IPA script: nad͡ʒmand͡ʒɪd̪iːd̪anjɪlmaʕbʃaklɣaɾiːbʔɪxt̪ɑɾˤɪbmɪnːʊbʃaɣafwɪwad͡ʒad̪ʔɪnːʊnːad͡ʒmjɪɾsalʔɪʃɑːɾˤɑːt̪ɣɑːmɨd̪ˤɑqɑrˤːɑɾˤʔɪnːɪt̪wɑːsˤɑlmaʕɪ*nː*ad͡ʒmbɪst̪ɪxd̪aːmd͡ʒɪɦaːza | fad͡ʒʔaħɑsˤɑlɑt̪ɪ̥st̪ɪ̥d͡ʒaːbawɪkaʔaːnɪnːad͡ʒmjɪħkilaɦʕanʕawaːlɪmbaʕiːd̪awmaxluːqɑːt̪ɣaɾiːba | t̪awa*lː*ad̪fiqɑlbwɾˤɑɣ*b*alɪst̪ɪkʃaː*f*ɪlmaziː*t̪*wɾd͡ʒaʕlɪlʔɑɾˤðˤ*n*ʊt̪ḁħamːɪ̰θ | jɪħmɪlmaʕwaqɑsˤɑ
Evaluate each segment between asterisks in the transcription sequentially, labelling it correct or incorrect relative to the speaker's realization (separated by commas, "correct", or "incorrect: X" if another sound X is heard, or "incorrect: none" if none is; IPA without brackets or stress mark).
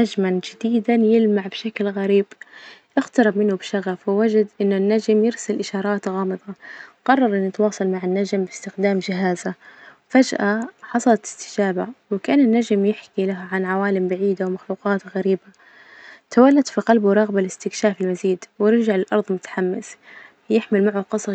correct, correct, correct, correct, incorrect: d̪, incorrect: m